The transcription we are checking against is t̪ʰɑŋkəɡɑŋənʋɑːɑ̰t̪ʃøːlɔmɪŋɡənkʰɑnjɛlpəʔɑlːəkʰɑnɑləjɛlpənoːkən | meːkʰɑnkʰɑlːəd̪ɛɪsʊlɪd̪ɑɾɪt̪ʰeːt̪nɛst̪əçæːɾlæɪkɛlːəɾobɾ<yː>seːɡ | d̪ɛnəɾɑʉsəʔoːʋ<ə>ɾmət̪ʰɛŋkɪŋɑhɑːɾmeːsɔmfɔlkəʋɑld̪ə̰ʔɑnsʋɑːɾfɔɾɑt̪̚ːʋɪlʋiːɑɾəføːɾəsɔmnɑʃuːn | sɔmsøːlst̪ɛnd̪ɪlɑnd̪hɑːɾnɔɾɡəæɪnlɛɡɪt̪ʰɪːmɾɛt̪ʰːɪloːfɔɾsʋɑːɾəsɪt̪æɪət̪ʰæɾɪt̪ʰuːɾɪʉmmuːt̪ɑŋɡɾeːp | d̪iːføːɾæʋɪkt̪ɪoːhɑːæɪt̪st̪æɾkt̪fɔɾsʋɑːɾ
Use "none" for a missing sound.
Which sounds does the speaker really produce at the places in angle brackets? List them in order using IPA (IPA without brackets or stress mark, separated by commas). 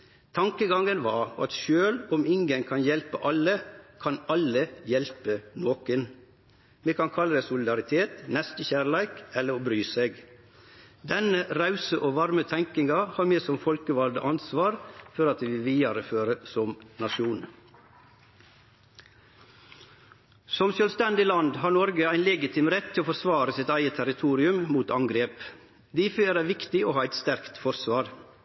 yː, ɑ